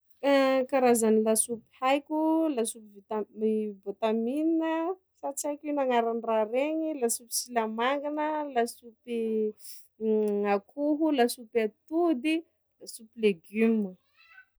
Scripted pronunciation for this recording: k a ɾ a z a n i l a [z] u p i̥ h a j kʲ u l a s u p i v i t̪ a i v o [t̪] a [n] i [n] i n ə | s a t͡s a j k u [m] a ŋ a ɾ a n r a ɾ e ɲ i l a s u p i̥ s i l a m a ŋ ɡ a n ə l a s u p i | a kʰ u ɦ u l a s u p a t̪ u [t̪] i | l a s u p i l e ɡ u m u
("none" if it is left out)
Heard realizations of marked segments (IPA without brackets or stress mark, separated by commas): s, t̪, m, n, n, d̪